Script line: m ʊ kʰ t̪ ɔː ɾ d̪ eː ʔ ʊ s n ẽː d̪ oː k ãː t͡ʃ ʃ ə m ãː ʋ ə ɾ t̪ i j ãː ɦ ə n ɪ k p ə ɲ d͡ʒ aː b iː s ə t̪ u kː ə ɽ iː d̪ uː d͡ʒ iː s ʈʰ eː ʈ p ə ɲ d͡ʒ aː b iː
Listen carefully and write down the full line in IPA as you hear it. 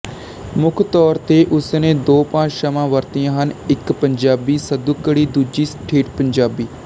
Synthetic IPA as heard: m ʊ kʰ t̪ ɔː ɾ t̪ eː ʔ ʊ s n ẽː d̪ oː p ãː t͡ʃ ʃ ə m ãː ʋ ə ɾ t̪ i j ãː ɦ ə n ɪ k p ə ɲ d͡ʒ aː b iː s ə d̪ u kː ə ɽ iː d̪ uː d͡ʒ iː s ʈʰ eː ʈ p ə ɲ d͡ʒ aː b iː

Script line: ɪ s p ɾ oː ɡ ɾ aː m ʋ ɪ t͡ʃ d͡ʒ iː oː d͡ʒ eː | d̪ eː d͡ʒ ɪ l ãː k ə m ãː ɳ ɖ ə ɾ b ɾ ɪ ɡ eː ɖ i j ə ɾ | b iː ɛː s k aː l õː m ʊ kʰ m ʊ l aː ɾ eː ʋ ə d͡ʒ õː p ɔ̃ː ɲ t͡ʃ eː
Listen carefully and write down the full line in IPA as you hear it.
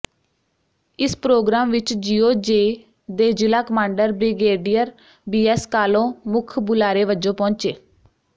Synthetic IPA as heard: ɪ s p ɾ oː ɡ ɾ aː m ʋ ɪ t͡ʃ d͡ʒ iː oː d͡ʒ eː | d̪ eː d͡ʒ ɪ l aː k ə m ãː ɳ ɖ ə ɾ b ɾ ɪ ɡ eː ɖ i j ə ɾ | b iː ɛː s k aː l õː m ʊ kʰ b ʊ l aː ɾ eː ʋ ə d͡ʒ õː p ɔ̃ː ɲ t͡ʃ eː

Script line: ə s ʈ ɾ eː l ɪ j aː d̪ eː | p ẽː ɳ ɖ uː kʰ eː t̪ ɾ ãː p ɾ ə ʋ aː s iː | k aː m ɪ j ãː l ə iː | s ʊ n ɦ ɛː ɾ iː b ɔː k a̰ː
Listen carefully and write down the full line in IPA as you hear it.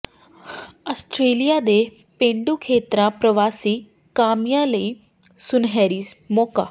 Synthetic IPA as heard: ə s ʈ ɾ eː l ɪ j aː d̪ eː | p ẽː ɳ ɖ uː kʰ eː t̪ ɾ ãː p ɾ ə ʋ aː s iː | k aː m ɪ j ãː l ə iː | s ʊ n ɦ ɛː ɾ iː m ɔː k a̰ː

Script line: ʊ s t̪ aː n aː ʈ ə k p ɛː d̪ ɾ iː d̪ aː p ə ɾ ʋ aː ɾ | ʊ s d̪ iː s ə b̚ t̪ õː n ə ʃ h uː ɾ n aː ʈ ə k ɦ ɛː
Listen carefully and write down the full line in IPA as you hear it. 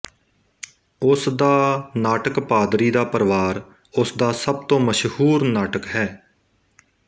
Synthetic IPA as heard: ʊ s d̪ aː n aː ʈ ə k p aː d̪ ɾ iː d̪ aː p ə ɾ ʋ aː ɾ | ʊ s d̪ aː s ə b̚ t̪ õː m ə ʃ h uː ɾ n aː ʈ ə k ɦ ɛː

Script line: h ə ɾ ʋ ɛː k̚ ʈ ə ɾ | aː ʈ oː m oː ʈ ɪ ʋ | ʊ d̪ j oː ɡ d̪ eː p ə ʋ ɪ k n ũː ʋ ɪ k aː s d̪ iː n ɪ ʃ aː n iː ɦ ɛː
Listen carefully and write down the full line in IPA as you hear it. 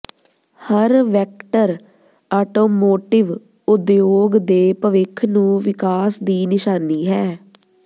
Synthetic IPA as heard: h ə ɾ ʋ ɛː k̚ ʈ ə ɾ | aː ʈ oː m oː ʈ ɪ ʋ | ʊ d̪ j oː ɡ d̪ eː p ə ʋ ɪ kʰ n ũː ʋ ɪ k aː s d̪ iː n ɪ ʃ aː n iː ɦ ɛː

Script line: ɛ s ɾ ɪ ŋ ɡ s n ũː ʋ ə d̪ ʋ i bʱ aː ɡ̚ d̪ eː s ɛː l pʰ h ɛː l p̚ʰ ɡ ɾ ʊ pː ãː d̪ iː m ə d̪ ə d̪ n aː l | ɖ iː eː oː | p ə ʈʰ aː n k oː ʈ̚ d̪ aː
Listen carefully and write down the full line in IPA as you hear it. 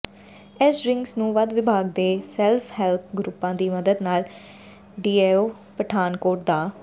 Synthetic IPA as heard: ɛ s ɾ ɪ ŋ ɡ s n ũː ʋ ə d̪ ʋ ɪ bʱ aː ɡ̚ d̪ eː s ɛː l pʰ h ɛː l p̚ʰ ɡ ɾ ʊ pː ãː d̪ iː m ə d̪ ə d̪ n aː l | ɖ iː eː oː | p ə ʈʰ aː n k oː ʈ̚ d̪ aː

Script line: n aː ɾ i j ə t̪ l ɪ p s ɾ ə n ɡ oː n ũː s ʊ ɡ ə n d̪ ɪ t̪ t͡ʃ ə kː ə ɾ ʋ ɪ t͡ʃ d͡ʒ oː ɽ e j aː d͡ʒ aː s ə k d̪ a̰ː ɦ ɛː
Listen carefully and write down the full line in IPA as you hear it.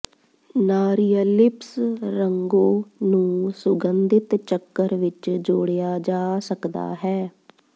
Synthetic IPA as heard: n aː ɾ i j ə l ɪ p s ɾ ə ŋ ɡ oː n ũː s ʊ ɡ ə n d̪ ɪ t̪ t͡ʃ ə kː ə ɾ ʋ ɪ t͡ʃ d͡ʒ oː ɽ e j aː d͡ʒ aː s ə k d̪ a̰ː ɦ ɛː

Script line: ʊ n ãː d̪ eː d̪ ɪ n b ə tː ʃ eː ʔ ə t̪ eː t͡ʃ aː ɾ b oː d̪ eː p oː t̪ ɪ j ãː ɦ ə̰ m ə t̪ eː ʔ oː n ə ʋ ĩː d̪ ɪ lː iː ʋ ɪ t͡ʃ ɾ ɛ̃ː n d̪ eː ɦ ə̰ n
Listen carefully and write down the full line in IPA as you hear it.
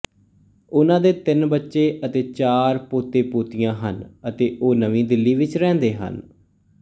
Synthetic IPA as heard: ʊ n ãː d̪ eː t̪ ɪ n b ə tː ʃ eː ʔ ə t̪ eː t͡ʃ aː ɾ p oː t̪ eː p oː t̪ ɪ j ãː ɦ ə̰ n ə t̪ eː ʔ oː n ə ʋ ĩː d̪ ɪ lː iː ʋ ɪ t͡ʃ ɾ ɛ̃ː n d̪ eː ɦ ə̰ n

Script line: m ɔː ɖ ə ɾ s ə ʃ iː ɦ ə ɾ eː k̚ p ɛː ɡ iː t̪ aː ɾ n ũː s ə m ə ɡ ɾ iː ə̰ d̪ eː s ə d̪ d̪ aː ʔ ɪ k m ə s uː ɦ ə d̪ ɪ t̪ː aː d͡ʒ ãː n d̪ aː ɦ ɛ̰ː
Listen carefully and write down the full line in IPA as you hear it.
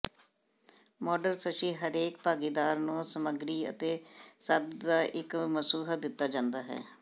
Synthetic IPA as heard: m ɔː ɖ ə ɾ s ə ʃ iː ɦ ə ɾ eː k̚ p aː ɡ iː d̪ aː ɾ n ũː s ə m ə ɡ ɾ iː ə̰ t̪ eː s ə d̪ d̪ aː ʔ ɪ k m ə s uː ɦ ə d̪ ɪ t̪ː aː d͡ʒ ãː n d̪ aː ɦ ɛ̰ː

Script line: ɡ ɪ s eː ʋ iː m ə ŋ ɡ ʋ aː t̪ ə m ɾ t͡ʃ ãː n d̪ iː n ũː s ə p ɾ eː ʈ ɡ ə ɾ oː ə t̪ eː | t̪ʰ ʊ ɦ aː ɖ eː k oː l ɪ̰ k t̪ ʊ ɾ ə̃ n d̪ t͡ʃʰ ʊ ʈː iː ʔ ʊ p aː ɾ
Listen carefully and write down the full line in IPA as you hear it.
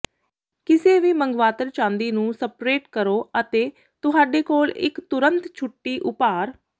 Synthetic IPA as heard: k ɪ s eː ʋ iː m ə ŋ ɡ ʋ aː t̪ ə ɾ t͡ʃ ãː n d̪ iː n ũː s ə p ɾ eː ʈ k ə ɾ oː ə t̪ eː | t̪ ʊ ɦ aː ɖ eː k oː l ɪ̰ k t̪ ʊ ɾ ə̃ n t̪ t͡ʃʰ ʊ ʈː iː ʔ ʊ p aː ɾ

